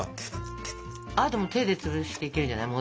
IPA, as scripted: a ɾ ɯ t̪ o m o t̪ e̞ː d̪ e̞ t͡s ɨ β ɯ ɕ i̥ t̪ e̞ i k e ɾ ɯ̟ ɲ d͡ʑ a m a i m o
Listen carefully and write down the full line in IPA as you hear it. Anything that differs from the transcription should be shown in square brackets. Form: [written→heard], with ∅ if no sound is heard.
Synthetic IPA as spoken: a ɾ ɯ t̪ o m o t̪ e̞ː d̪ e̞ t͡s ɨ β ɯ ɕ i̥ t̪ e̞ i k e ɾ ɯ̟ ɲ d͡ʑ a [m→n] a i m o